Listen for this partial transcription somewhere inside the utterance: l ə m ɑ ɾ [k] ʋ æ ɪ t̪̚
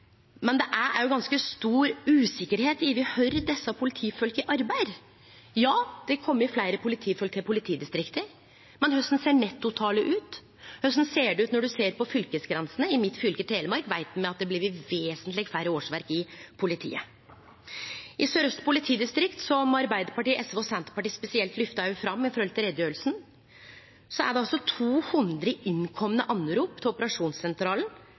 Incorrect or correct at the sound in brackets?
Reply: correct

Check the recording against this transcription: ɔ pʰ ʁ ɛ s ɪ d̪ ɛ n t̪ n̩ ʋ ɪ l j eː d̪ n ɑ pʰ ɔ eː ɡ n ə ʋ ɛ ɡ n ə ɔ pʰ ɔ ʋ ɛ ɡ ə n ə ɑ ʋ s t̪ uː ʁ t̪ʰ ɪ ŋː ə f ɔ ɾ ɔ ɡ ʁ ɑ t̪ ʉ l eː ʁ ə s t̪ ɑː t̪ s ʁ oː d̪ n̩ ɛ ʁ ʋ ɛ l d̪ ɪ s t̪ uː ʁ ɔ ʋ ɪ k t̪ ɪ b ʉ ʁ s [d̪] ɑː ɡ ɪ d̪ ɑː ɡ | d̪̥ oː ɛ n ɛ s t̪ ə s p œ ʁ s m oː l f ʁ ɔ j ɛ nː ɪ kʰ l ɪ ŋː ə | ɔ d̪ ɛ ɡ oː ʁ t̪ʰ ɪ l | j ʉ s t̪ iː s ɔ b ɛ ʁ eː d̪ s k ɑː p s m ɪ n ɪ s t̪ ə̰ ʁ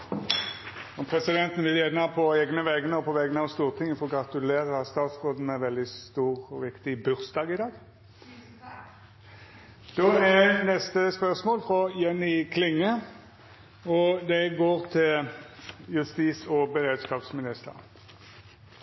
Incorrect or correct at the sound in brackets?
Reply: correct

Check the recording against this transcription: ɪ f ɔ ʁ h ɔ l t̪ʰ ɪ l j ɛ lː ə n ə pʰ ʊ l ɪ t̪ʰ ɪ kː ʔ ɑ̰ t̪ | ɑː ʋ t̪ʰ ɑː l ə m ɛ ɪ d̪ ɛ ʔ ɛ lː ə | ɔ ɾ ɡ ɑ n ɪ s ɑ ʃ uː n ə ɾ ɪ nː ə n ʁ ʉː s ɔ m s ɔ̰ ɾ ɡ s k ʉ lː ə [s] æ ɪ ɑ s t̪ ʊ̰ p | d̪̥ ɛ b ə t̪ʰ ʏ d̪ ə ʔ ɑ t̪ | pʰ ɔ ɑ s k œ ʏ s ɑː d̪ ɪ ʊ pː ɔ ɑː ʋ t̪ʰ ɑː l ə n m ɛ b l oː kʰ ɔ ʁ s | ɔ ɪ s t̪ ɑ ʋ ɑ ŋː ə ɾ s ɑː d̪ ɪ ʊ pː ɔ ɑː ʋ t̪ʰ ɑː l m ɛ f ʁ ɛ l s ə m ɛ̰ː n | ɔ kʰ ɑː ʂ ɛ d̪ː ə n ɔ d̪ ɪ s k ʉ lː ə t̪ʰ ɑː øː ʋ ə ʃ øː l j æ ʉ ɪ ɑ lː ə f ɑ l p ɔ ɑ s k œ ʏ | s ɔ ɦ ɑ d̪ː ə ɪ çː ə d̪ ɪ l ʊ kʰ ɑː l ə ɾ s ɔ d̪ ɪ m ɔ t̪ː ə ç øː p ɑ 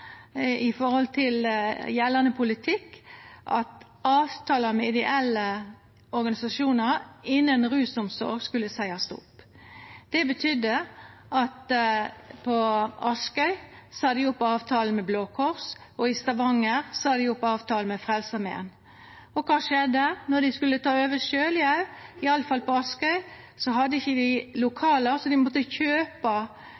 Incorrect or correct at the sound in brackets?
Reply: correct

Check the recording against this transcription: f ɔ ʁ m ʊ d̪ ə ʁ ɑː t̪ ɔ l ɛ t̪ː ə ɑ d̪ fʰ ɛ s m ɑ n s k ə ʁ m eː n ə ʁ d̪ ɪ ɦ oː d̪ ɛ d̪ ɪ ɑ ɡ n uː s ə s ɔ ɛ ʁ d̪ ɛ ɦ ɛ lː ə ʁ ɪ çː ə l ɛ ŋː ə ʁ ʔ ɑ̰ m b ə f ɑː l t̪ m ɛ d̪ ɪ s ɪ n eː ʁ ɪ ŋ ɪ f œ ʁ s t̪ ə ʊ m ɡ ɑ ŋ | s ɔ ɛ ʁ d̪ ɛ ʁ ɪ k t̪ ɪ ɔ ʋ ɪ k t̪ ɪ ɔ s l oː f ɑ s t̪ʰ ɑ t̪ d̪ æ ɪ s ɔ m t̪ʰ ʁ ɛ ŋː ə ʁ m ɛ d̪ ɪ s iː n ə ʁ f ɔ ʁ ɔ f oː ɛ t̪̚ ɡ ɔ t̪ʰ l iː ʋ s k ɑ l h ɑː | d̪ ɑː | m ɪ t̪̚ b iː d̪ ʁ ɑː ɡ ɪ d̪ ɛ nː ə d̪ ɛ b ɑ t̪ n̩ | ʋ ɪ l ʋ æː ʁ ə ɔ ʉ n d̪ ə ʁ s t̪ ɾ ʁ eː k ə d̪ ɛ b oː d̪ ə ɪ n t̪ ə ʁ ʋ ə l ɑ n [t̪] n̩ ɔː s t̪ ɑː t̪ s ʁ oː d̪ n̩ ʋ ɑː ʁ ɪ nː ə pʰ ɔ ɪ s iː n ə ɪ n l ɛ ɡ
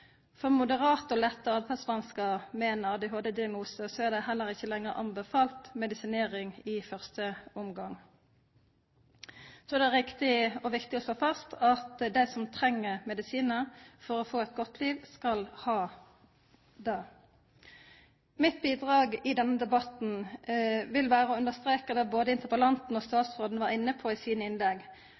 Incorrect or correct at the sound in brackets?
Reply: correct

